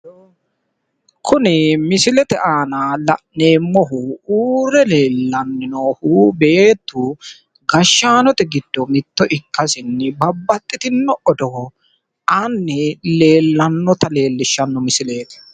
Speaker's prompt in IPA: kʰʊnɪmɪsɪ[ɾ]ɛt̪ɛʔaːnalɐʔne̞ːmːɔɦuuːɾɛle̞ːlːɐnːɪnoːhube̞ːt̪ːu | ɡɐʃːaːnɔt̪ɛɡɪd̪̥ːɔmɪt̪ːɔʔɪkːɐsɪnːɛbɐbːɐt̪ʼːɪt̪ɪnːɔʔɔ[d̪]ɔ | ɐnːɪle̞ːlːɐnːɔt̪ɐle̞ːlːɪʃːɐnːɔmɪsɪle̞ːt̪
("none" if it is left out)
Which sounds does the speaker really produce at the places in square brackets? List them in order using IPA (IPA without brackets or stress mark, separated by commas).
l, d̪